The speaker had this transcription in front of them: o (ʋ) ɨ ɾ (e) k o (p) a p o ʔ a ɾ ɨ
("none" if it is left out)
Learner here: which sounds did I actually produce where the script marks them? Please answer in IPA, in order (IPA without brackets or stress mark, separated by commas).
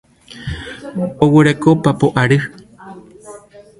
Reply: w, e, p